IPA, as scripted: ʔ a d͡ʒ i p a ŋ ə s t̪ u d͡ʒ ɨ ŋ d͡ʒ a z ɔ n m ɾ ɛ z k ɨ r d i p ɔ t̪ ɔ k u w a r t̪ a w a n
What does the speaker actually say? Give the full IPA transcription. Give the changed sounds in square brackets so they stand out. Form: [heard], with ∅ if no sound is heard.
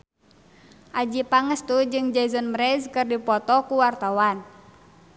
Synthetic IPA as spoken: ʔ a d͡ʒ i p a ŋ ə s t̪ u d͡ʒ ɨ ŋ d͡ʒ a z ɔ n m ɾ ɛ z k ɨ r d i p ɔ t̪ ɔ k u w a r t̪ a w a n